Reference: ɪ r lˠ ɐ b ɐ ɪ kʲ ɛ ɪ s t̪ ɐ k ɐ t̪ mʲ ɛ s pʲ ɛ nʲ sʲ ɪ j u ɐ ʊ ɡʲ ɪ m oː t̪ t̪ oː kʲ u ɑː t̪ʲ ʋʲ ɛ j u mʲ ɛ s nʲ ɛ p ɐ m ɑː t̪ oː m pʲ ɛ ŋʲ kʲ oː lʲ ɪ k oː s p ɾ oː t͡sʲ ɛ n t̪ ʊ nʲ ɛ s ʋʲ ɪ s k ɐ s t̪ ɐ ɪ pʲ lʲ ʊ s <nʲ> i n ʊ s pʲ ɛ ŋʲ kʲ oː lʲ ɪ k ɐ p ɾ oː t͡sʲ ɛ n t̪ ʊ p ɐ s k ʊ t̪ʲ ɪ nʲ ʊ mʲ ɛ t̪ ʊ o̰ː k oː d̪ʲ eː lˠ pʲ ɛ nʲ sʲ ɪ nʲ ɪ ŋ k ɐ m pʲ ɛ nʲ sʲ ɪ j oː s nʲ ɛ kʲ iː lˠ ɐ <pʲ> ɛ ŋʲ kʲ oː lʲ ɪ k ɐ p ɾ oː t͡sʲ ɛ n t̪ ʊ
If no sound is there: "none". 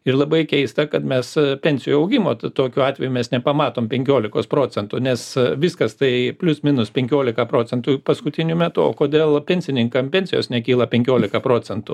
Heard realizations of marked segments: mʲ, pʲ

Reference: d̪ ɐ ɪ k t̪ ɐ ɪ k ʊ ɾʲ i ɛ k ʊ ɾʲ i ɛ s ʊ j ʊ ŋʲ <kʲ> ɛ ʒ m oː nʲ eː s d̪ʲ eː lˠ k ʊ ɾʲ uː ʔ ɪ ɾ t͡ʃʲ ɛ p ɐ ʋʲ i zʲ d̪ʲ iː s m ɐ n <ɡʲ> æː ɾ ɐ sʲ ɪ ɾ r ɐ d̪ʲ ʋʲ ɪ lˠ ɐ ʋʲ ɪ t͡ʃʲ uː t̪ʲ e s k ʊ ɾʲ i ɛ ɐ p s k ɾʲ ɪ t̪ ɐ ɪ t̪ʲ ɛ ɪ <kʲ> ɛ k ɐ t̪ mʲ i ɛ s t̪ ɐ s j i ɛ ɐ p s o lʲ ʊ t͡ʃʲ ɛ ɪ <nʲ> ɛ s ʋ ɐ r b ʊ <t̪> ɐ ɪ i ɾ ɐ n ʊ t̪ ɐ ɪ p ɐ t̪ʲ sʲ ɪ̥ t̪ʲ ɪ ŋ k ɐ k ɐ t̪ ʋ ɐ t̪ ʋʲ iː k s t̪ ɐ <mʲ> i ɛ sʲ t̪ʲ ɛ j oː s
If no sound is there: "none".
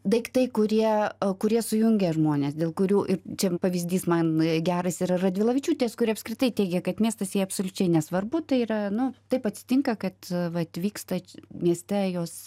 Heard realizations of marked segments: ɡʲ, ɡʲ, ɡʲ, nʲ, t̪, mʲ

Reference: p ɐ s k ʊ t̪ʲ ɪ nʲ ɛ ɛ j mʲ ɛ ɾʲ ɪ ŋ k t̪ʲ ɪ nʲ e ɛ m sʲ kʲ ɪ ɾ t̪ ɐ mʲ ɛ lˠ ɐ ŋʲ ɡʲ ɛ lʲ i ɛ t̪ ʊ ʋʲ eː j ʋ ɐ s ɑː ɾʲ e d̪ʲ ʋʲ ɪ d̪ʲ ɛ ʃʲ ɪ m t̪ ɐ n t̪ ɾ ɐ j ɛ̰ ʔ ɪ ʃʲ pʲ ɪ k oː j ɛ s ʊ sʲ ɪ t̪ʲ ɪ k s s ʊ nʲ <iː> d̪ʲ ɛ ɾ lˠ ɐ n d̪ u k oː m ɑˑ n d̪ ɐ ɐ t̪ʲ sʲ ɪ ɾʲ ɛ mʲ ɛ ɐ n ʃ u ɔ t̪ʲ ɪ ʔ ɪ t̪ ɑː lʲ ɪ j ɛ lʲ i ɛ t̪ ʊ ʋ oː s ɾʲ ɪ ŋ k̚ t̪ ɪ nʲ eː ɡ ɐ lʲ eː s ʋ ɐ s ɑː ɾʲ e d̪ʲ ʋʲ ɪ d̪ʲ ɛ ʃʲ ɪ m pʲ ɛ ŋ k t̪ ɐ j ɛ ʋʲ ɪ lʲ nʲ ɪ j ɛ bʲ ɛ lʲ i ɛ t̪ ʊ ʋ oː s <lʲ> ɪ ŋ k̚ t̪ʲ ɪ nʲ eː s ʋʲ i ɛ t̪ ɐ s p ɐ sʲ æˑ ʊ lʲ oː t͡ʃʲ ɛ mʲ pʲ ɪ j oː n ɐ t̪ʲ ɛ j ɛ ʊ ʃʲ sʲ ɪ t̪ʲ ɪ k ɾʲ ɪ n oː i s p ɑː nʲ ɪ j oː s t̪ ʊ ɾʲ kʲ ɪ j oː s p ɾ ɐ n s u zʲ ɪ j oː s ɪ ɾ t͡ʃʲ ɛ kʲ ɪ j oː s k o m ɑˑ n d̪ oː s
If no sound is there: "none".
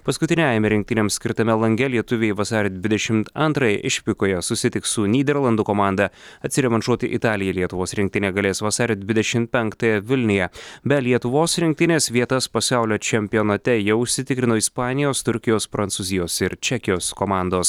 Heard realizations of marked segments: iː, ɾʲ

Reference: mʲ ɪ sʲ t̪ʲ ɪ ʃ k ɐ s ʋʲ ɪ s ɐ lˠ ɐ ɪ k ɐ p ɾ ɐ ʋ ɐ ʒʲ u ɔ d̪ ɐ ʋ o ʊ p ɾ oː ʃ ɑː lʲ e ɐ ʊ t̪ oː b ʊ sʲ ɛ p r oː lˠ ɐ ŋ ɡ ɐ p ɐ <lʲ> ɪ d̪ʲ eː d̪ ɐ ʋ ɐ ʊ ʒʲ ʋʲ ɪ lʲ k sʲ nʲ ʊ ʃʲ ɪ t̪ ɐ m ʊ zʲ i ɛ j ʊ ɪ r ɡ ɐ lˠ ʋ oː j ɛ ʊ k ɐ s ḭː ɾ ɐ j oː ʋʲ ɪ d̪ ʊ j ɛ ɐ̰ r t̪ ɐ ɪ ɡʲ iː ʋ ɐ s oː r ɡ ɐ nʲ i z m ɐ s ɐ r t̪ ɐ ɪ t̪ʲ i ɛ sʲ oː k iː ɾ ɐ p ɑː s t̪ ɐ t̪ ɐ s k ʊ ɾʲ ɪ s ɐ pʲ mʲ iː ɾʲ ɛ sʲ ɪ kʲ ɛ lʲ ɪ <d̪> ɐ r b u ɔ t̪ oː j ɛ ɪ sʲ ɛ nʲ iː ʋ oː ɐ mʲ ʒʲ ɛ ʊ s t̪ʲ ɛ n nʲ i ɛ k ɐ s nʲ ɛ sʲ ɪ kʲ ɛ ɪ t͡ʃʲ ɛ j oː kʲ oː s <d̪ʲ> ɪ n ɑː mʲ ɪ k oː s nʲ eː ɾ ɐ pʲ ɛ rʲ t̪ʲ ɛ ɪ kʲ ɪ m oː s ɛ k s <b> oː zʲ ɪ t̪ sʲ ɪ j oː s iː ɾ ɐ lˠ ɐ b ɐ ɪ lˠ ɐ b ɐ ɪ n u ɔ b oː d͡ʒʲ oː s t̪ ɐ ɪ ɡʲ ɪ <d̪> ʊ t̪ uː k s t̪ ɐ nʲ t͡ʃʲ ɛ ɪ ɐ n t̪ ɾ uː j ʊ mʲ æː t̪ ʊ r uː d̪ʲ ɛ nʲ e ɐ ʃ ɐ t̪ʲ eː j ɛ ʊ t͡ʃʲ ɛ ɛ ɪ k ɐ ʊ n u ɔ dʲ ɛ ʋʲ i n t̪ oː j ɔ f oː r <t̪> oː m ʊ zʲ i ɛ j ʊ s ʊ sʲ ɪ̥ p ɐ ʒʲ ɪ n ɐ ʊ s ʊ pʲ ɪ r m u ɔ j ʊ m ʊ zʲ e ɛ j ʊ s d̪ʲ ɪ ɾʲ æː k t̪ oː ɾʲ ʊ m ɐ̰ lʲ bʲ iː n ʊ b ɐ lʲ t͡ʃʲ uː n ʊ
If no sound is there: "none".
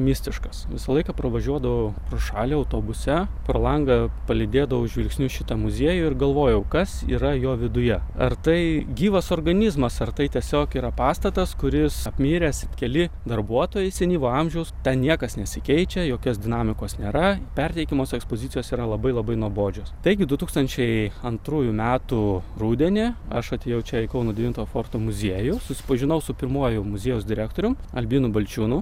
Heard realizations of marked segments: lʲ, d̪, d̪ʲ, p, d̪, t̪

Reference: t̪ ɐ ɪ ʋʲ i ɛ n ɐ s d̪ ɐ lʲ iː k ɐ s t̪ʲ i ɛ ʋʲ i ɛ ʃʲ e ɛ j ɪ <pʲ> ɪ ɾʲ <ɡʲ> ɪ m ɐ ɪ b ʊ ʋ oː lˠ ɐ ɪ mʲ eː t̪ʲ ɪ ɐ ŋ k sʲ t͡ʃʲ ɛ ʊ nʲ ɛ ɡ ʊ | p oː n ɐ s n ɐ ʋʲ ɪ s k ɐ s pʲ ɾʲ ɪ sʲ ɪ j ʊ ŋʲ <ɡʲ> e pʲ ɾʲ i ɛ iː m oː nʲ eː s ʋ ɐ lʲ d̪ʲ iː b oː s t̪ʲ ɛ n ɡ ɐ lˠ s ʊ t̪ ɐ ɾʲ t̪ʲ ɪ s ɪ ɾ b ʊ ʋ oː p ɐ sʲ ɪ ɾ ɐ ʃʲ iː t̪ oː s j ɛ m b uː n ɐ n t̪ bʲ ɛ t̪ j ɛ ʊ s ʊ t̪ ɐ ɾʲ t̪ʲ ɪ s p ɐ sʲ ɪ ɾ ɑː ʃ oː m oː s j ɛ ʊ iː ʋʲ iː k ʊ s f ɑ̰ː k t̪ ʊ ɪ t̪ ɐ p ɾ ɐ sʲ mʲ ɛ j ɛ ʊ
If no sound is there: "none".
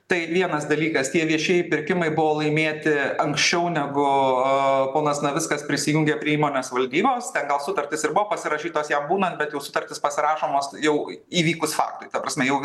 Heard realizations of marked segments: pʲ, kʲ, ɡʲ

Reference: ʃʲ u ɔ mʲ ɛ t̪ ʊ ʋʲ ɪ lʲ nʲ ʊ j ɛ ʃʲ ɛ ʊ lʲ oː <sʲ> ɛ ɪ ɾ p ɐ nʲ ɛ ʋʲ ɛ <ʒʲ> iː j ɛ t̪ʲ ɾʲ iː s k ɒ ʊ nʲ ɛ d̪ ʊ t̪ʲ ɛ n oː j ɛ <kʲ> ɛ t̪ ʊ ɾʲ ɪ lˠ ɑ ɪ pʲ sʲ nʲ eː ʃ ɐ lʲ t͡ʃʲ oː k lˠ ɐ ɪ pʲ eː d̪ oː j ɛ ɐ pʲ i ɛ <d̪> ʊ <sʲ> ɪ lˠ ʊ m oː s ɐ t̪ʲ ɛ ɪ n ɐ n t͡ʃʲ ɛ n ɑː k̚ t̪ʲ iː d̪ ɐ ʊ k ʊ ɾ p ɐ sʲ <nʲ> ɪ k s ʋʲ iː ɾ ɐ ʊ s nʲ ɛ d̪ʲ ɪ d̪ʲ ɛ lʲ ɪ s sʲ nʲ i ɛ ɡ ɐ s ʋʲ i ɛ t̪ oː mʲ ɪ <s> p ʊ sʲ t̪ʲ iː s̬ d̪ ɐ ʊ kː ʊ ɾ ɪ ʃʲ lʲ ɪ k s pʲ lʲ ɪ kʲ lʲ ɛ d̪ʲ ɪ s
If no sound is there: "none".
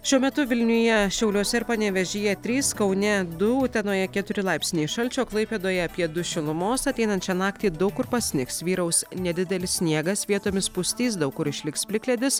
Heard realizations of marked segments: sʲ, ʒʲ, kʲ, d̪, ʃʲ, nʲ, s

